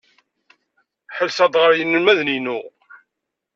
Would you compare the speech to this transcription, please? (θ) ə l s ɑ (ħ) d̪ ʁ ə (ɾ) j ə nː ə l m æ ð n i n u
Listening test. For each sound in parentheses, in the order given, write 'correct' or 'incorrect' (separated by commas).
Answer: incorrect, incorrect, correct